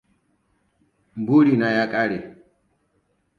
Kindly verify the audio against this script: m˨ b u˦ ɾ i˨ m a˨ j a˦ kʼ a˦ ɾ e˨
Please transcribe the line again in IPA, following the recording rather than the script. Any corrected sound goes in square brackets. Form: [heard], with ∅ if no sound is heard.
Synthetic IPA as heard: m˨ b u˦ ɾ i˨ [n] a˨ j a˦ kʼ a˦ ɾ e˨